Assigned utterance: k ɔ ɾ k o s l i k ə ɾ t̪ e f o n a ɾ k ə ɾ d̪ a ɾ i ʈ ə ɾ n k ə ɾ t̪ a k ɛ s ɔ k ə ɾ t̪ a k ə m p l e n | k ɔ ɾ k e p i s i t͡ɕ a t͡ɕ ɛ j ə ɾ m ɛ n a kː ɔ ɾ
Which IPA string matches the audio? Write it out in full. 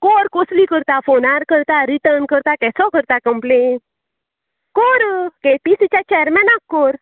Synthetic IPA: k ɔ ɾ k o s l i k ə ɾ t̪ a f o n a ɾ k ə ɾ t̪ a ɾ i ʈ ə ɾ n k ə ɾ t̪ a k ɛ s ɔ k ə ɾ t̪ a k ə m p l e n | k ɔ ɾ k e p i s i t͡ɕ a t͡ɕ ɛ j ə ɾ m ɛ n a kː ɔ ɾ